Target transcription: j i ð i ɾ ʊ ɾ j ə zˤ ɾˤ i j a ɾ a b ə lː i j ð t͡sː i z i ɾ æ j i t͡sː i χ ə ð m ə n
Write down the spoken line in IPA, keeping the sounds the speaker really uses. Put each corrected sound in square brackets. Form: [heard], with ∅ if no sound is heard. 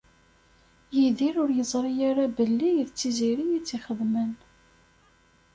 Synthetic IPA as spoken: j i ð i ɾ ʊ ɾ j ə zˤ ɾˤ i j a ɾ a b ə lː i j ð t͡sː i z i ɾ [i] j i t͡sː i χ ə ð m ə n